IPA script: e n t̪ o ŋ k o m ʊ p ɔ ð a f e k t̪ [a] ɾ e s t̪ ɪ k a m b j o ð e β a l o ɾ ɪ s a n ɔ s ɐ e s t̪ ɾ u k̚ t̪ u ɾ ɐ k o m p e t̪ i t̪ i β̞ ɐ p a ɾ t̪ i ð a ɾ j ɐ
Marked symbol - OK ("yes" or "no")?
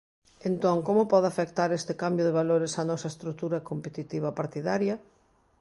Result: yes